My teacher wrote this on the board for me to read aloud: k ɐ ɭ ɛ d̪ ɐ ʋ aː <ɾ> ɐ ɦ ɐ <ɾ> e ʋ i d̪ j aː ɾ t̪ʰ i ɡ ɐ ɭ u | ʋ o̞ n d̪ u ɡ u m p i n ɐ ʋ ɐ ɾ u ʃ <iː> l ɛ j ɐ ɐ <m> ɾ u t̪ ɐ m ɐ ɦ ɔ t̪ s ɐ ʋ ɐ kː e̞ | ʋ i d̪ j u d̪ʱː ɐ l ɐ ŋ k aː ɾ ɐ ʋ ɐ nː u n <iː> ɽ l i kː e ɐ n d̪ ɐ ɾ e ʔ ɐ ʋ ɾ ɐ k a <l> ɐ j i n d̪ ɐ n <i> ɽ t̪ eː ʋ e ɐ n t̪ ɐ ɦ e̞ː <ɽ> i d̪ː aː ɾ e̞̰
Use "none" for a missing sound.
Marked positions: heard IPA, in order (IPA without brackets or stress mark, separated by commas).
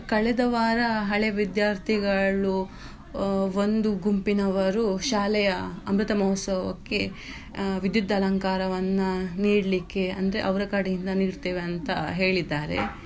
ɾ, ɭ, aː, m, iː, ɽ, iː, ɭ